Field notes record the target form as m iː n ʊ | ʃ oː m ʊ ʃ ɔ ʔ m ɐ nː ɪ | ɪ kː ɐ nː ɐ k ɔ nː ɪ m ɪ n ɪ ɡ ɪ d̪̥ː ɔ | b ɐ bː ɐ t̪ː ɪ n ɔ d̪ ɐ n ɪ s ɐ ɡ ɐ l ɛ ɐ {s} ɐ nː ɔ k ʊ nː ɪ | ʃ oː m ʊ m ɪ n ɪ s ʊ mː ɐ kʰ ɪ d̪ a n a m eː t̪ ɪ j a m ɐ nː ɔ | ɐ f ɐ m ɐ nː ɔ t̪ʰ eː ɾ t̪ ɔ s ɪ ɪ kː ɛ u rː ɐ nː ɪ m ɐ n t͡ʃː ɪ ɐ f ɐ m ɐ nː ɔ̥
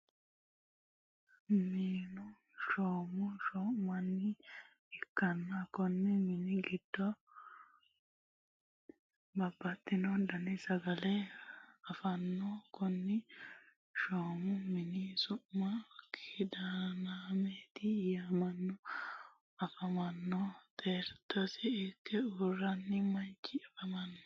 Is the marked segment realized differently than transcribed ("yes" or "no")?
yes